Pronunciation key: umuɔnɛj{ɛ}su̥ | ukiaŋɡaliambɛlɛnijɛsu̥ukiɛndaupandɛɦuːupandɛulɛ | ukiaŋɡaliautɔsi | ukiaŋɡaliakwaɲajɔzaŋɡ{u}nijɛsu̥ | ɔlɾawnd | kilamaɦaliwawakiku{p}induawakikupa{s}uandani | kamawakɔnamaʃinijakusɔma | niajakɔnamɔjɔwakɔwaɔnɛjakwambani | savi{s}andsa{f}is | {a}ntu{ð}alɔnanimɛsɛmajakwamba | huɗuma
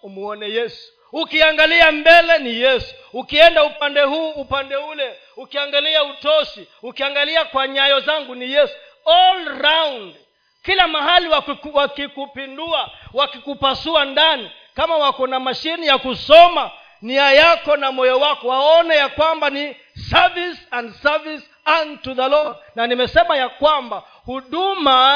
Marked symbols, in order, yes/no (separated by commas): yes, yes, yes, yes, yes, no, yes, yes